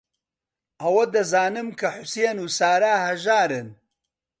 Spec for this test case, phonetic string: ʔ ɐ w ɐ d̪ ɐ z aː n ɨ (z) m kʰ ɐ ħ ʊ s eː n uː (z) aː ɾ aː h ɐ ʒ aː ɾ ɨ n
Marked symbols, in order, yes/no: no, no

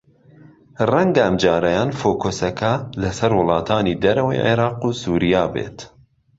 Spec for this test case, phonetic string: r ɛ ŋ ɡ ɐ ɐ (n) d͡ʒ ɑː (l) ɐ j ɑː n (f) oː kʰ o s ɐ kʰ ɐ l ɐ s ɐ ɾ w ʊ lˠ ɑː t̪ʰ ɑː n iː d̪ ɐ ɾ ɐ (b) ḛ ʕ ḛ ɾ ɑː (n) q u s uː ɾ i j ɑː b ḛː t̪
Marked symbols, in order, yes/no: no, no, yes, no, no

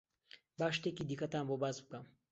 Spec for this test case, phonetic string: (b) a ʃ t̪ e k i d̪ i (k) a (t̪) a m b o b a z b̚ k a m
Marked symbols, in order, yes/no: yes, yes, yes

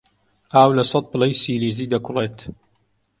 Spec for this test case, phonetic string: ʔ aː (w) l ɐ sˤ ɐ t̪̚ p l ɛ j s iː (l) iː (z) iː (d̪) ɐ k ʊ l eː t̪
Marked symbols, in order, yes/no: yes, yes, yes, yes

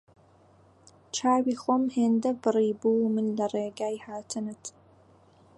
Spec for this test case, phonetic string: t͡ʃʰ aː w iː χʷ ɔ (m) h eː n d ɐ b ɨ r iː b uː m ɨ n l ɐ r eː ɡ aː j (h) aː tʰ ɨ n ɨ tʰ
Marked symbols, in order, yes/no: yes, yes

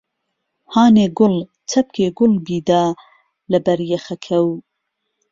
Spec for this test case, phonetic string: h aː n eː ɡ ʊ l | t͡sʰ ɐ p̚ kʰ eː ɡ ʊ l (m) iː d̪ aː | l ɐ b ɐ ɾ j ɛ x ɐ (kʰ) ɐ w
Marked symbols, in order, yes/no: no, yes

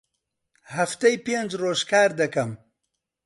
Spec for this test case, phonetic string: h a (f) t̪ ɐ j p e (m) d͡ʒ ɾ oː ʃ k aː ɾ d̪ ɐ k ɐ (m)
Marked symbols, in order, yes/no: yes, no, yes

